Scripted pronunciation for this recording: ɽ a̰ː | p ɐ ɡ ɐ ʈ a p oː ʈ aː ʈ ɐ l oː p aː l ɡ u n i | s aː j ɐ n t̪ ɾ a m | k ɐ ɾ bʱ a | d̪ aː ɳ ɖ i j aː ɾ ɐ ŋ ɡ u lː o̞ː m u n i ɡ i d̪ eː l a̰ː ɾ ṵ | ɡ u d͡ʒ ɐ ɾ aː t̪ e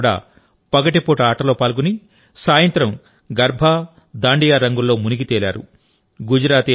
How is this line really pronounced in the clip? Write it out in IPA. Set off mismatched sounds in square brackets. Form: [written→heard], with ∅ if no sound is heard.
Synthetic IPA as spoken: ɽ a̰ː | p ɐ ɡ ɐ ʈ [a→i] p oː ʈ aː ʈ ɐ l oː p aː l ɡ u n i | s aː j ɐ n t̪ ɾ [a→ɐ] m | [k→ɡ] ɐ ɾ bʱ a | d̪ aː ɳ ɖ i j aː ɾ ɐ ŋ ɡ u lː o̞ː m u n i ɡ i [d̪→t̪] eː l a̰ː ɾ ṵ | ɡ u d͡ʒ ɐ ɾ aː t̪ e